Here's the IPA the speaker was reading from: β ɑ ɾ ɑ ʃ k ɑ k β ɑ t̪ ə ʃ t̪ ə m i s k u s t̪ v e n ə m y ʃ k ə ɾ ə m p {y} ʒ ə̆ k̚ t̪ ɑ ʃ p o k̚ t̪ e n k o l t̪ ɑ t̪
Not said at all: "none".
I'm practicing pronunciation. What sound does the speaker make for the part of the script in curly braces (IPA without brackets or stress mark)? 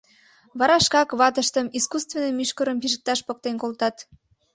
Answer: i